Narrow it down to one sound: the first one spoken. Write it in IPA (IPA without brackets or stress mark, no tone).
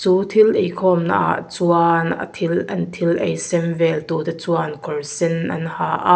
t͡s